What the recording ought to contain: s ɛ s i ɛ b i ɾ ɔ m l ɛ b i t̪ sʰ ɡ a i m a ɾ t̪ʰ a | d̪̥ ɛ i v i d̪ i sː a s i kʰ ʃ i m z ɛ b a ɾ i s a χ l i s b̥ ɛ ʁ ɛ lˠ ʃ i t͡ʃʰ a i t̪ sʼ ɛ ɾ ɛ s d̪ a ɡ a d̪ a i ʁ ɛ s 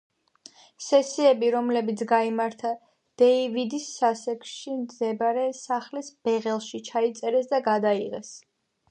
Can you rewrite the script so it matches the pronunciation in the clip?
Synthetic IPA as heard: s ɛ s i ɛ b i ɾ ɔ m l ɛ b i t̪ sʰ ɡ a i m a ɾ t̪ʰ a | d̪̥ ɛ i v i d̪ i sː a s ɛ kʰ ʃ i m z ɛ b a ɾ ɛ s a χ l i s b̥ ɛ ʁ ɛ lˠ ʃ i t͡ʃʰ a i t̪ sʼ ɛ ɾ ɛ s d̪ a ɡ a d̪ a i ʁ ɛ s